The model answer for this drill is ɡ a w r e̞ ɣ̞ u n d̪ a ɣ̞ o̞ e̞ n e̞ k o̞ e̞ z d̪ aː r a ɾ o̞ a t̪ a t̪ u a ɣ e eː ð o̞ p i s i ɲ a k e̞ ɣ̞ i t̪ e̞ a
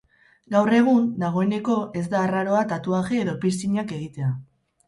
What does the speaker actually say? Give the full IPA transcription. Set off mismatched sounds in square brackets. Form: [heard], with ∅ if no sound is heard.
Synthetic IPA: ɡ a w r e̞ ɣ̞ u n d̪ a ɣ̞ o̞ e̞ n e̞ k o̞ e̞ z d̪ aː r a ɾ o̞ a t̪ a t̪ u a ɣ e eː ð o̞ p i s i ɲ a k e̞ ɣ̞ i t̪ e̞ a